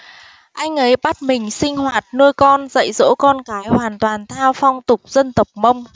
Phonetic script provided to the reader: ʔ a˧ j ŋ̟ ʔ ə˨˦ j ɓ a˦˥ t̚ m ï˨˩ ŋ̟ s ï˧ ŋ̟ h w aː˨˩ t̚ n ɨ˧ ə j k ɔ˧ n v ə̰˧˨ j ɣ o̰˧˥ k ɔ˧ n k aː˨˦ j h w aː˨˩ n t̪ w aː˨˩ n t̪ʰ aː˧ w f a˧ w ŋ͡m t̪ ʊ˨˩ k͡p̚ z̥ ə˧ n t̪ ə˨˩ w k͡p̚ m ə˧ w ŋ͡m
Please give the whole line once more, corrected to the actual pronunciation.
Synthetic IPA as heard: ʔ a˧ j ŋ̟ ʔ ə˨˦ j ɓ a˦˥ t̚ m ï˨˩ ŋ̟ s ï˧ ŋ̟ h w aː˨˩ t̚ n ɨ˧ ə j k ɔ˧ n z ə̰˧˨ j z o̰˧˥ k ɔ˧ n k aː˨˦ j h w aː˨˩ n t̪ w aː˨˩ n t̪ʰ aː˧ w f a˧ w ŋ͡m t̪ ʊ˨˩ k͡p̚ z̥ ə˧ n t̪ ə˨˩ w k͡p̚ m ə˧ w ŋ͡m

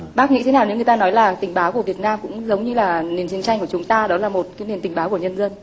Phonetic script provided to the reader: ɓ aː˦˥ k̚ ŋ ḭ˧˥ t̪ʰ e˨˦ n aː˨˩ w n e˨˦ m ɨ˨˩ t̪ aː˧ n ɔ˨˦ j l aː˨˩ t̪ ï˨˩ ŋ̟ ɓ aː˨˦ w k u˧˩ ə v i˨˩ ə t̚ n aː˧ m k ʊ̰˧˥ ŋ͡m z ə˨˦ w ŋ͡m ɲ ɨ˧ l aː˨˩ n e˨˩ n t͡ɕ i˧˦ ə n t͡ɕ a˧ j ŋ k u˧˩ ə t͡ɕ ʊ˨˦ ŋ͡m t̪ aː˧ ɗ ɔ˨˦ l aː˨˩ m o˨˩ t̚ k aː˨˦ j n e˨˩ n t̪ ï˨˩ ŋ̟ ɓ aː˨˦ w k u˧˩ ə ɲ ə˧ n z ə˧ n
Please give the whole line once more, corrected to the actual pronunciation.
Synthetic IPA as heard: ɓ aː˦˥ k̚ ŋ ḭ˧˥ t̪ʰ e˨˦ n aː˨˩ w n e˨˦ ŋ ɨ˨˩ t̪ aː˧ n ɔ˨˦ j l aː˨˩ t̪ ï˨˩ ŋ̟ ɓ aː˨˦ w k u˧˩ ə v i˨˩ ə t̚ n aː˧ m k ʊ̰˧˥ ŋ͡m z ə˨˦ w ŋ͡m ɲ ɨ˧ l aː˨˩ n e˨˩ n t͡ɕ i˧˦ ə n t͡ɕ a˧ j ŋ k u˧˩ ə t͡ɕ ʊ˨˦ ŋ͡m t̪ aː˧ ɗ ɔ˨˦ l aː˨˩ m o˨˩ t̚ k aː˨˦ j n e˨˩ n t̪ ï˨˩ ŋ̟ ɓ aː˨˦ w k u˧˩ ə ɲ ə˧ n z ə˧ n

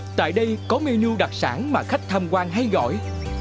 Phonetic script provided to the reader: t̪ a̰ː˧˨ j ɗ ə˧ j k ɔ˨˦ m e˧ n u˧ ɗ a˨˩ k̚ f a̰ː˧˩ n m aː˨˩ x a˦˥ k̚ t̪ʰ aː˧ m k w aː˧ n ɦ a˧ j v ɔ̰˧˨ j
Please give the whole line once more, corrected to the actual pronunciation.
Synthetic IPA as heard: t̪ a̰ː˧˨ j ɗ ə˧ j k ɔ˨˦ m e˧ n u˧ ɗ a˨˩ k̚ s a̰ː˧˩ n m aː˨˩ x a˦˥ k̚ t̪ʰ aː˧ m k w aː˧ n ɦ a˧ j ɣ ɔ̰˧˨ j

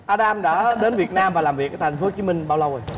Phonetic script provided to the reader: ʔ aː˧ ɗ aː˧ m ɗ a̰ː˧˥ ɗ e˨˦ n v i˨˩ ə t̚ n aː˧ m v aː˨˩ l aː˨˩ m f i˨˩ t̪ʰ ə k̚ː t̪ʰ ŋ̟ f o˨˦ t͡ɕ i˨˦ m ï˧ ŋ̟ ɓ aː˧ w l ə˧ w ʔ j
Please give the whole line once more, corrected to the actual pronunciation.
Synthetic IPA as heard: ʔ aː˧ ɗ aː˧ m ɗ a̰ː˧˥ ɗ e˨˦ n v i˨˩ ə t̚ n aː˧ m v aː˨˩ l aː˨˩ m v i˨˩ ə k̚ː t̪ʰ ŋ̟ f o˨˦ t͡ɕ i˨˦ m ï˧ ŋ̟ ɓ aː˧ w l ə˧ w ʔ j

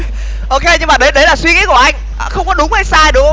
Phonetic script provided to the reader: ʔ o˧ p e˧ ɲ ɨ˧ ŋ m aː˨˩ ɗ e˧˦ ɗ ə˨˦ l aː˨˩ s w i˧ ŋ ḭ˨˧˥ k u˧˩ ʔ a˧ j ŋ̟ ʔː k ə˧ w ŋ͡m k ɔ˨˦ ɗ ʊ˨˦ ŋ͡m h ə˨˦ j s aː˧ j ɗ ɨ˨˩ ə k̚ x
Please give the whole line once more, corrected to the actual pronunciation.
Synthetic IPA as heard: ʔ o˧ k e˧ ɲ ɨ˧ ŋ m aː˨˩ ɗ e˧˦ ɗ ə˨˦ l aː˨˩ s w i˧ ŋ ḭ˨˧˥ k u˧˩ ʔ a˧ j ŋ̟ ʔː x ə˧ w ŋ͡m k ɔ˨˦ ɗ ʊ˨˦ ŋ͡m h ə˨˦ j s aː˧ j ɗ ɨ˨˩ ə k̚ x

